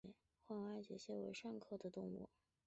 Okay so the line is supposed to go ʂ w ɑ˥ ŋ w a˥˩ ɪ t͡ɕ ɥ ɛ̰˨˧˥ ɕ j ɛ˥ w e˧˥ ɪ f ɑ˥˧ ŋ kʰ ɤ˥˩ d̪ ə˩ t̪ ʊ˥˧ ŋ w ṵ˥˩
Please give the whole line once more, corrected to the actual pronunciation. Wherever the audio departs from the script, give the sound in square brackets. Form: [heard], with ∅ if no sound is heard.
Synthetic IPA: [x] w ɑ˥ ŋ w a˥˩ ɪ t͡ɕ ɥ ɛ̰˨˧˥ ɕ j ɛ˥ w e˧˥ ɪ [ʂ] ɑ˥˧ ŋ kʰ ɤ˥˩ d̪ ə˩ t̪ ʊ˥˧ ŋ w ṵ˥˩